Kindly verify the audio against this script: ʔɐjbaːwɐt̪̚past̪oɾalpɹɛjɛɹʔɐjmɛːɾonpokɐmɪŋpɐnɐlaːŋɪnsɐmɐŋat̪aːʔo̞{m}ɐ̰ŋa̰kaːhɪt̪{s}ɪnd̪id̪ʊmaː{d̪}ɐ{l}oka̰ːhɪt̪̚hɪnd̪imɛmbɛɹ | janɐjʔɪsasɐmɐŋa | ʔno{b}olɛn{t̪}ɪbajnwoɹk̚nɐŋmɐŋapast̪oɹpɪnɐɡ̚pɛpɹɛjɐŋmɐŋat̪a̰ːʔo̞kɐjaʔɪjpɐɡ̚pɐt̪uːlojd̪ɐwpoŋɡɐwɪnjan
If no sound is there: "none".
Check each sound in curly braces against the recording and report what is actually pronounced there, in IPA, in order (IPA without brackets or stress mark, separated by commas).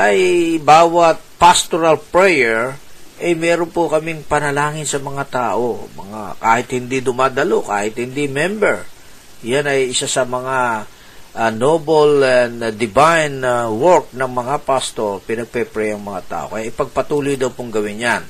m, h, d̪, l, b, d̪